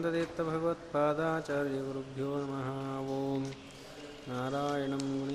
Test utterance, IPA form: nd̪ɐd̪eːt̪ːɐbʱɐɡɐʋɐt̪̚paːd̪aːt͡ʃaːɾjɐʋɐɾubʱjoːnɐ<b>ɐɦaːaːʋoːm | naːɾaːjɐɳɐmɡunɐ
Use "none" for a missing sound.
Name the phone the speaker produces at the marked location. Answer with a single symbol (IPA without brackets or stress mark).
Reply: m